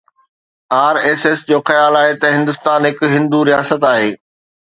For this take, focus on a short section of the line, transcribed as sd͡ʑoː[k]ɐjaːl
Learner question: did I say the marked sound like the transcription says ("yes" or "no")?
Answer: no